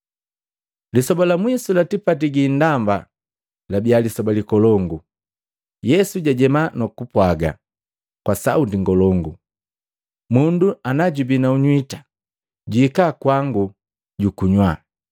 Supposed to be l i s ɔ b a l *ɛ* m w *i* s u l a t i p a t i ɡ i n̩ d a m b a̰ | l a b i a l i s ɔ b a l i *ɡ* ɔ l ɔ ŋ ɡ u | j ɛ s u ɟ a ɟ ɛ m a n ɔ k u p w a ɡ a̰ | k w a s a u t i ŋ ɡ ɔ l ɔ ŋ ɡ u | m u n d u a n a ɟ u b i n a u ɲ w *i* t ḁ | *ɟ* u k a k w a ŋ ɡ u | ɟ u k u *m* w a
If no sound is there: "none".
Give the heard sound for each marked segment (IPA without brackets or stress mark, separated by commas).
a, i, k, i, ɟ, ɲ